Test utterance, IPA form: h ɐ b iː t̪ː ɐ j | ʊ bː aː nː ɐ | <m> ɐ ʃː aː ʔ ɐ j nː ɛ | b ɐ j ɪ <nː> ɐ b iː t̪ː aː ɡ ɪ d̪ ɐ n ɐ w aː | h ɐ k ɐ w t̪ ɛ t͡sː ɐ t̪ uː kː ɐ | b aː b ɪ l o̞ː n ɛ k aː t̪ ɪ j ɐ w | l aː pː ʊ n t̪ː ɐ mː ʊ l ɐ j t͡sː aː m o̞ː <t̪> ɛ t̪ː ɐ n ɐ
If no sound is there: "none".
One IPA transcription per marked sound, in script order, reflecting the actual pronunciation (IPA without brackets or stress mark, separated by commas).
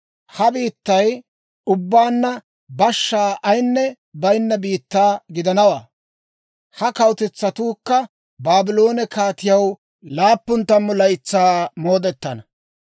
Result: b, nː, d̪